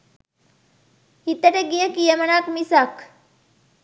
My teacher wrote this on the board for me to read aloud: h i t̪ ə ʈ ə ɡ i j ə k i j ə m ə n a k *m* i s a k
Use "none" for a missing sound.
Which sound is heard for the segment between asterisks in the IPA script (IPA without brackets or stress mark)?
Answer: m